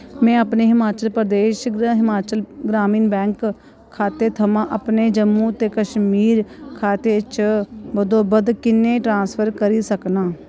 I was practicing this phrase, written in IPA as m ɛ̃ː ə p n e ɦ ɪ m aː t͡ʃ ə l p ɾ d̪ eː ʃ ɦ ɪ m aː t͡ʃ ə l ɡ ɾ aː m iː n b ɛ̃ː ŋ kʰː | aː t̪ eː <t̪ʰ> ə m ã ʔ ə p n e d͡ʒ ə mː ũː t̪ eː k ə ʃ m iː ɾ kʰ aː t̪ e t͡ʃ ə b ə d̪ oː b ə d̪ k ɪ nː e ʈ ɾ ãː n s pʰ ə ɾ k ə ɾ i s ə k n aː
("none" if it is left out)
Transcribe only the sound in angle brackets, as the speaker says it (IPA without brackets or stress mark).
t̪ʰ